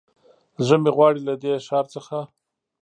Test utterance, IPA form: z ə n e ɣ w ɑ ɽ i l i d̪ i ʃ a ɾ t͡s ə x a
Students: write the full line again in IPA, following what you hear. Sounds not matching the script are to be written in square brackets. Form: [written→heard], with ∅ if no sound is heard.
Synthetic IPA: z ə [n→m] e ɣ w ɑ ɽ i l [i→a] d̪ [i→e] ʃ [a→ɑ] ɾ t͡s ə x a